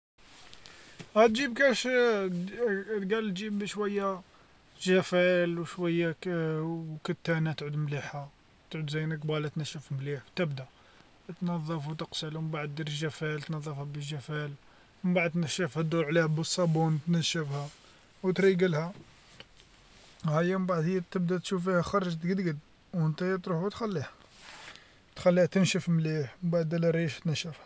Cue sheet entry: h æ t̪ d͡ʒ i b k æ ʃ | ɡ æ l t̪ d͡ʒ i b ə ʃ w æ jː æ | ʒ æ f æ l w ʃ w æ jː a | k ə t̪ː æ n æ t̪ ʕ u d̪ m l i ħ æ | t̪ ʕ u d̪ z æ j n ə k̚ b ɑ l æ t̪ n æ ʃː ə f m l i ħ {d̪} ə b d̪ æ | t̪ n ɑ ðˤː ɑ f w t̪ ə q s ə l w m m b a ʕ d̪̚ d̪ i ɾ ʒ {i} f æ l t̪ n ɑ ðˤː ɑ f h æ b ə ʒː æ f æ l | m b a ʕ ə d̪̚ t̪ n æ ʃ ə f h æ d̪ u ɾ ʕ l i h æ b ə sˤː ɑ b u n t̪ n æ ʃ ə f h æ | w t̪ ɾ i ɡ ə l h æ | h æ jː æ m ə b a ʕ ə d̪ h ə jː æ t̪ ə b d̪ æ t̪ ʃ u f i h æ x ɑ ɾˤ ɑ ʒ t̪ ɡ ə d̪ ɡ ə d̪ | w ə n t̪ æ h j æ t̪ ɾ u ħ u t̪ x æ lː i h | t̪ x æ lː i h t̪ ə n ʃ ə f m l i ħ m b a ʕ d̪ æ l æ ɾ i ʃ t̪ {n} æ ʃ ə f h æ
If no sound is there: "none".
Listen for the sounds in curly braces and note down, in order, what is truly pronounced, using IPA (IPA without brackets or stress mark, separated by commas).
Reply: t̪, æ, n